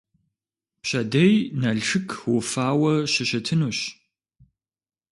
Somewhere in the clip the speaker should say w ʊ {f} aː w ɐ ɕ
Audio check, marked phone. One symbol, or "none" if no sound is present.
f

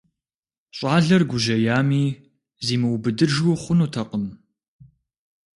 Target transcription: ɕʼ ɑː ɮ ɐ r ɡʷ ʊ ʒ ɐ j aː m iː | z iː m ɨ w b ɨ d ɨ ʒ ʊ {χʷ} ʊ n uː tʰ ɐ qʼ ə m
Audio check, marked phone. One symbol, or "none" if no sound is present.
χʷ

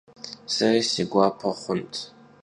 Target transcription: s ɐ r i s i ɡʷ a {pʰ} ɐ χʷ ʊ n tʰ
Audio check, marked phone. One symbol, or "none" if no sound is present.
pʰ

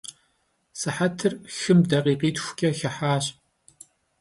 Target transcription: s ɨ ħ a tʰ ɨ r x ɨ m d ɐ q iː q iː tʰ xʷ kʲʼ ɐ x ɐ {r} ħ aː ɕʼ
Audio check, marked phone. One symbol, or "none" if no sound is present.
none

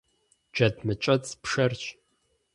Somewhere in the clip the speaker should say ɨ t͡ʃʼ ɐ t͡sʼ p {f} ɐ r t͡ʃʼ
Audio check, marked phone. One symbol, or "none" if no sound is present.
ʂ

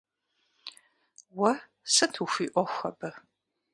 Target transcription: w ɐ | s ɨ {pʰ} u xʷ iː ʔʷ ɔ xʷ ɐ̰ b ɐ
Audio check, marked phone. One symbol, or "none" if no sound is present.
tʰ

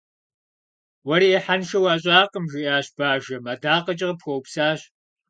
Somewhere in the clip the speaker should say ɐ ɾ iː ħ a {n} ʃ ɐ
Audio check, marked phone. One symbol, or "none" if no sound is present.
n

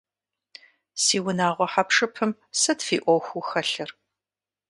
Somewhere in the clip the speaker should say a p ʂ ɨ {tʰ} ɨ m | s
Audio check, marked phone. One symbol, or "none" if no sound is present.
pʰ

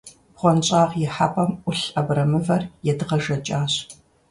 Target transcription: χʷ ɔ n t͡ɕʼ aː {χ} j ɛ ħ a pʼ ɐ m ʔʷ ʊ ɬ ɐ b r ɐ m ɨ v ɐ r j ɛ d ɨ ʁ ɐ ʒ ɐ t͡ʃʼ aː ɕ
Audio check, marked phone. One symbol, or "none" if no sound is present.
ʁ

